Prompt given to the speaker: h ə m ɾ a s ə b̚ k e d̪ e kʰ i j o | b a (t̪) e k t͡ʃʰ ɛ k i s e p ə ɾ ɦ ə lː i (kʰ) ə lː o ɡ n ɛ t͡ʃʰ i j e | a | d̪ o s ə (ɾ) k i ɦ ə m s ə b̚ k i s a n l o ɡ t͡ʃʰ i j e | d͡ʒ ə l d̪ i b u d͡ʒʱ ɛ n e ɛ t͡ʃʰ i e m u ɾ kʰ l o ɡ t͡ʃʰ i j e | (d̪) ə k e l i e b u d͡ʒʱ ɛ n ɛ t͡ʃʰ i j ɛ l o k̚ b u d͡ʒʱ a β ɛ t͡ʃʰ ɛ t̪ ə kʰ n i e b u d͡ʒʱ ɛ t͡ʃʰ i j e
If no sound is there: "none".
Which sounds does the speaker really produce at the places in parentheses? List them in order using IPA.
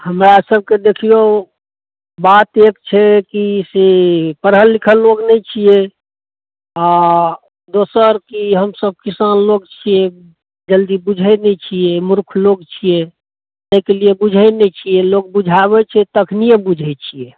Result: t̪, kʰ, ɾ, t̪

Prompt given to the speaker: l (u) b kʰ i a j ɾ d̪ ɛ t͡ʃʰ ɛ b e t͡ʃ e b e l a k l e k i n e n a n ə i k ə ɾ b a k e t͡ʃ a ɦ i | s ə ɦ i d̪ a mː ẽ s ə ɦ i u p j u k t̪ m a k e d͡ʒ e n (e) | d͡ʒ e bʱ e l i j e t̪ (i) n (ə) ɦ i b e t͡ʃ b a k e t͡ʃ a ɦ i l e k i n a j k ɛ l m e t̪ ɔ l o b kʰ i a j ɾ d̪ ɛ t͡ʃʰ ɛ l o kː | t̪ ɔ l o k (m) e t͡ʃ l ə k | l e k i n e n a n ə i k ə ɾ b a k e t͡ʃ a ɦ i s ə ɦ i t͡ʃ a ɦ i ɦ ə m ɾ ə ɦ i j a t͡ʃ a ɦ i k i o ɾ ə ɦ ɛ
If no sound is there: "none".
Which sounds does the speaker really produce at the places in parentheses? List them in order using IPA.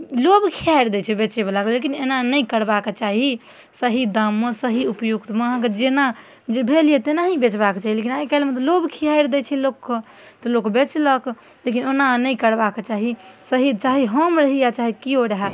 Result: o, a, e, a, b

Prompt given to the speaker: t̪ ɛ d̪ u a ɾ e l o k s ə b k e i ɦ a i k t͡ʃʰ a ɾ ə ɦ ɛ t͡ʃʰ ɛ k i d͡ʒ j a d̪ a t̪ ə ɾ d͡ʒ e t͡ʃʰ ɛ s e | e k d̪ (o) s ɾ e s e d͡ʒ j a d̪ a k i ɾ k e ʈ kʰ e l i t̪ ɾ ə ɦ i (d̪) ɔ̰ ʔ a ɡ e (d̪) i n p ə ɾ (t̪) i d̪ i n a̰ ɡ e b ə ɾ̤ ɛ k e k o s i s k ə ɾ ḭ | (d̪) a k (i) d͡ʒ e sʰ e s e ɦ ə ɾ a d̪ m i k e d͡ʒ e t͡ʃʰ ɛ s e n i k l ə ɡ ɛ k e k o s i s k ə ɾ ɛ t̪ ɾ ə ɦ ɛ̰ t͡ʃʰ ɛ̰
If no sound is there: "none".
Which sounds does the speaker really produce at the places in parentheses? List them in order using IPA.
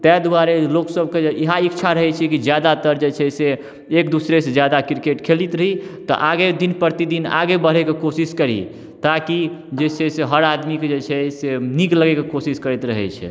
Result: u, t̪, d̪, t̪, t̪, i

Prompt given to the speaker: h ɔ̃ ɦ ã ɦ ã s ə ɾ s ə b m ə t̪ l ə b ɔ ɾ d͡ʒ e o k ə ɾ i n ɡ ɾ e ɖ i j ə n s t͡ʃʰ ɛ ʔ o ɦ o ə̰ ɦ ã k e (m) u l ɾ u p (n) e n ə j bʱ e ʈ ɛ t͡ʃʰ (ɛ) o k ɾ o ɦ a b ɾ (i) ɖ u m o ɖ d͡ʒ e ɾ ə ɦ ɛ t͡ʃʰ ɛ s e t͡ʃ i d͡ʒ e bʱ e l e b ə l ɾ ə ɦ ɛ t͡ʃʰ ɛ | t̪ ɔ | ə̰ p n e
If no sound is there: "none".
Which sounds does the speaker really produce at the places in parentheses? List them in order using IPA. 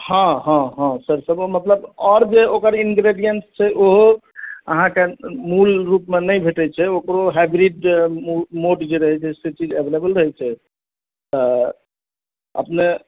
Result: m, m, ɛ, i

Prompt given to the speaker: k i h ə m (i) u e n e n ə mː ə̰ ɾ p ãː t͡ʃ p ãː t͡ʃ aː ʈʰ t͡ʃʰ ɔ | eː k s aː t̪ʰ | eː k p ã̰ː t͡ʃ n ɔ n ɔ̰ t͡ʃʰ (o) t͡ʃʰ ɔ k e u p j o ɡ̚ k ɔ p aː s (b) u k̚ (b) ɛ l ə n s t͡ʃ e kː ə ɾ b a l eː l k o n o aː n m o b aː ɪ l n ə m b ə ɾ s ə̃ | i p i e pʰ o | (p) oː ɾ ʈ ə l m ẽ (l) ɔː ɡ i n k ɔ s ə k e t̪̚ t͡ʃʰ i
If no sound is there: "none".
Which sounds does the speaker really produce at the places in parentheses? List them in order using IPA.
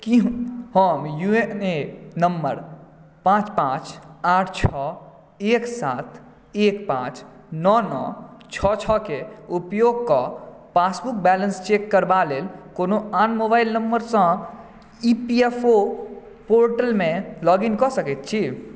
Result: j, ɔ, b, b, p, l

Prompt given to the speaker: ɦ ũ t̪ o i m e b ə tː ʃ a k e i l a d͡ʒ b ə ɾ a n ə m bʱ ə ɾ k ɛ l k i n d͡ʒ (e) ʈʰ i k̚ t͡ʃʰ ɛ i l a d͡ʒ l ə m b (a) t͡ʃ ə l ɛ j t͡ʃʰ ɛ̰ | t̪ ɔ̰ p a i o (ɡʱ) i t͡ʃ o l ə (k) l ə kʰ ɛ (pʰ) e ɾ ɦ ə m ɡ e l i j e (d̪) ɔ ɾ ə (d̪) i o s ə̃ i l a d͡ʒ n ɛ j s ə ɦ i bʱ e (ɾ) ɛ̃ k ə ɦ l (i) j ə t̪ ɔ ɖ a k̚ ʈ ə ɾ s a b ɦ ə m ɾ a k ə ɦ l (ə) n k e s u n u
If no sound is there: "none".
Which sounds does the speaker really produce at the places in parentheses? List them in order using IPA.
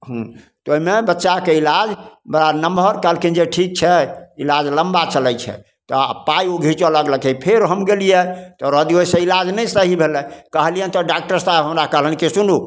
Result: e, a, ɡʱ, ɡ, pʰ, t̪, d̪, l, i, ə

